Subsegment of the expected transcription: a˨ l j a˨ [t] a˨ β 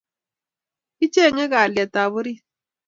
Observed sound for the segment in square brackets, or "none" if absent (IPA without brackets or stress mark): t